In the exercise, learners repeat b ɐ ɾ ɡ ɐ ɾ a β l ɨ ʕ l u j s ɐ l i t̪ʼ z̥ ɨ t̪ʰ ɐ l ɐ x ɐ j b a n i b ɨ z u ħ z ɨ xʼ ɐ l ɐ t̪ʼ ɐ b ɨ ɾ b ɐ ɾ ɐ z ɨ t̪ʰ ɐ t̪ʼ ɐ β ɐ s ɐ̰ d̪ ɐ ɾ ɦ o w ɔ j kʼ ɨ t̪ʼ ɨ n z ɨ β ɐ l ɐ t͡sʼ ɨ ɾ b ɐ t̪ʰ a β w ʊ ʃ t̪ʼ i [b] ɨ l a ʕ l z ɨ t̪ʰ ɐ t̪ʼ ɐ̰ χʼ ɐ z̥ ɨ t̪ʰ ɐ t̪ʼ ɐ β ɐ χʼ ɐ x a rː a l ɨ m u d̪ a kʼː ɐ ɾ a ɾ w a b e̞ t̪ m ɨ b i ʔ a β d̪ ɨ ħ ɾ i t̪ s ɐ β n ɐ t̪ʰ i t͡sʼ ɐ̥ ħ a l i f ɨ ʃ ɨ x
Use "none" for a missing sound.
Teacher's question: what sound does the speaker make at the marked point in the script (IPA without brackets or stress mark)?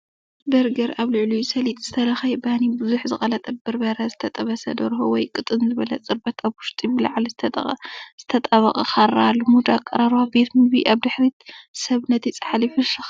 b